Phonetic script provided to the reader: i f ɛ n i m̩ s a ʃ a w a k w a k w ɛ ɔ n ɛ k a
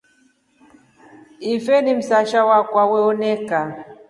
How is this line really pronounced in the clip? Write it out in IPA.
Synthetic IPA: i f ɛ n i m̩ s a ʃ a w a k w a w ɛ ɔ n ɛ k a